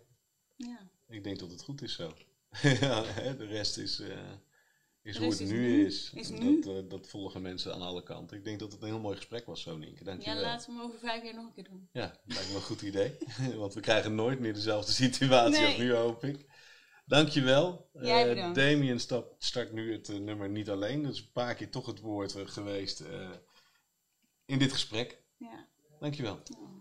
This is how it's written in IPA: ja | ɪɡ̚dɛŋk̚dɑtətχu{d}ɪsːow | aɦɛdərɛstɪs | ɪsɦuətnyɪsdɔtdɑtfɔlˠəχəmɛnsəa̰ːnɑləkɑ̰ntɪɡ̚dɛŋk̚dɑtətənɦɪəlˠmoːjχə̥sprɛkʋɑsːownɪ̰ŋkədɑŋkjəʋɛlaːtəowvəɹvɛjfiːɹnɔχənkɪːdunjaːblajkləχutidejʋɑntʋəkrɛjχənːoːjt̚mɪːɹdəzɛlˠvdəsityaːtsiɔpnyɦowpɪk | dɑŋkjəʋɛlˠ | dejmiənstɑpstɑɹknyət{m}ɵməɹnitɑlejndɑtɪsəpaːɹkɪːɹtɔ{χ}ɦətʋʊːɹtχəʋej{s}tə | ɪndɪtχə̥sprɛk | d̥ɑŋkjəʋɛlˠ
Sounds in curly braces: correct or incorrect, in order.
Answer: incorrect: t, incorrect: n, correct, correct

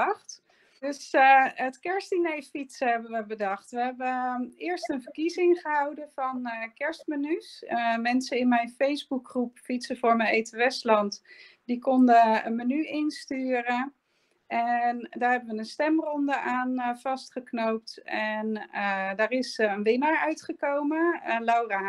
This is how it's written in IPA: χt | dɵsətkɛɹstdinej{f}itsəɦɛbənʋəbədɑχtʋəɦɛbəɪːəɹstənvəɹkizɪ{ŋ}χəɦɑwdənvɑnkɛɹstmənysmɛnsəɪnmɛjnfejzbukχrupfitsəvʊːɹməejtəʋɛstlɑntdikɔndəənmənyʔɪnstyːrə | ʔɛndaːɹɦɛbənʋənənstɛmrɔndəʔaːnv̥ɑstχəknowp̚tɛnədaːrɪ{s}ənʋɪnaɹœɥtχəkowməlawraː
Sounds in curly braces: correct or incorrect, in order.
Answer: correct, correct, correct

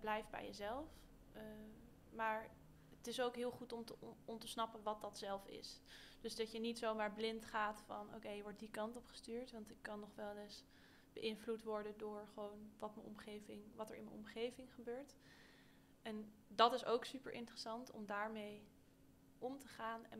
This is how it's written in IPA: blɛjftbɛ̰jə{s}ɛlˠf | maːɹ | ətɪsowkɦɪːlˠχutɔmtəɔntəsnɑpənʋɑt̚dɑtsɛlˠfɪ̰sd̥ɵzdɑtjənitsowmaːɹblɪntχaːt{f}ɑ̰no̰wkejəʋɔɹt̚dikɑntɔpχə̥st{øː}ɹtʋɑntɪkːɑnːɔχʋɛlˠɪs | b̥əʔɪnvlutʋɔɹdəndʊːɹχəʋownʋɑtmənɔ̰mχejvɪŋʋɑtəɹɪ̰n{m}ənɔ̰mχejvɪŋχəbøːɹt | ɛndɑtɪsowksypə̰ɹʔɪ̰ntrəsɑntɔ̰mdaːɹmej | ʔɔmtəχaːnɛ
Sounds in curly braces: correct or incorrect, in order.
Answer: incorrect: z, correct, incorrect: yː, correct

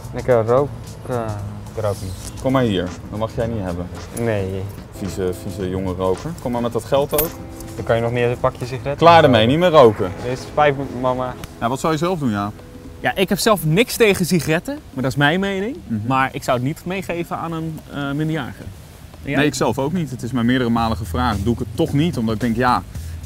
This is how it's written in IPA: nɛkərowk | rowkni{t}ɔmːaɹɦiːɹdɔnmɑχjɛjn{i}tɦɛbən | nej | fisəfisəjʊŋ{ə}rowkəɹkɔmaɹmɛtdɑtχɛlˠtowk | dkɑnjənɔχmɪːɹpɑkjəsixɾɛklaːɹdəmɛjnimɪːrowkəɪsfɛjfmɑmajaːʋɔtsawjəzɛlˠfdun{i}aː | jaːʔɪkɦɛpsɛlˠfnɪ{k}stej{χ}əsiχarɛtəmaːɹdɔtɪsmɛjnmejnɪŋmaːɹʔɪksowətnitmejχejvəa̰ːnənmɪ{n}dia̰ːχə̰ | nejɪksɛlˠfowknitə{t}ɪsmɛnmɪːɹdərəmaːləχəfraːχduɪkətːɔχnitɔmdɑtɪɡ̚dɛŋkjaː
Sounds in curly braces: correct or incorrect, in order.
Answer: incorrect: k, correct, correct, incorrect: j, correct, correct, correct, correct

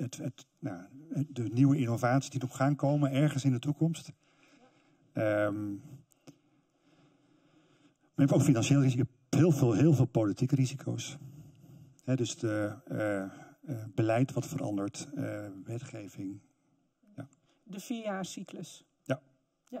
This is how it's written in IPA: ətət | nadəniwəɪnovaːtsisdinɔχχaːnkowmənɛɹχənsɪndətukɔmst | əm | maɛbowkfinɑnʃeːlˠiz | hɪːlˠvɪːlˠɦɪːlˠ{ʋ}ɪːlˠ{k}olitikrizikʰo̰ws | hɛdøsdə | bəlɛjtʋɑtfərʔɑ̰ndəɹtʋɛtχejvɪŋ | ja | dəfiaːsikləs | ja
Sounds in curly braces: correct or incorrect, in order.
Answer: incorrect: v, incorrect: p

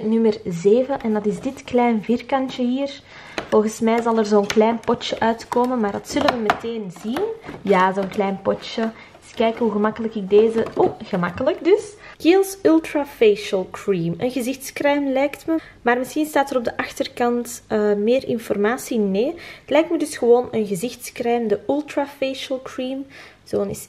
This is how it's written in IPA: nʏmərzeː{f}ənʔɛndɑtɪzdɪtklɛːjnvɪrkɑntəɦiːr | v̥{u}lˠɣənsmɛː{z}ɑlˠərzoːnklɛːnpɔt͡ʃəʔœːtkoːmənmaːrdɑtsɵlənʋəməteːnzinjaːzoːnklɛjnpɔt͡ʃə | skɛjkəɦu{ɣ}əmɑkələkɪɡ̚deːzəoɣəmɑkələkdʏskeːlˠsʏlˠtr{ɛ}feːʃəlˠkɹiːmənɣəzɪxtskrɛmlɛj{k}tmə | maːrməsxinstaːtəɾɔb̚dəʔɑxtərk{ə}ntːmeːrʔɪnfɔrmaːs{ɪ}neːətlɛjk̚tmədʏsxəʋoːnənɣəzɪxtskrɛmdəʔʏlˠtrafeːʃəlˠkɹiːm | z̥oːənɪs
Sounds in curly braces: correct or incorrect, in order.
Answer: incorrect: v, incorrect: ɔ, correct, correct, incorrect: a, correct, incorrect: ɑ, incorrect: i

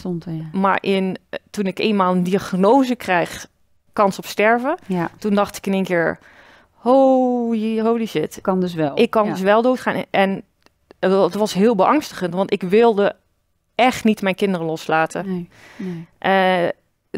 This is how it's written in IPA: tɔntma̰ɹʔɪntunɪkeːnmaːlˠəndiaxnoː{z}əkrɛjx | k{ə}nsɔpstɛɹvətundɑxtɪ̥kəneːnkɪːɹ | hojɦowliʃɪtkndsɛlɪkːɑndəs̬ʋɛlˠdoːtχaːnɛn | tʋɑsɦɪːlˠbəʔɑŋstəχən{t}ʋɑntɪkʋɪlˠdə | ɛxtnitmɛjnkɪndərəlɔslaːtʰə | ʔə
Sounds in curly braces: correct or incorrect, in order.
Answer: correct, incorrect: ɑ, correct

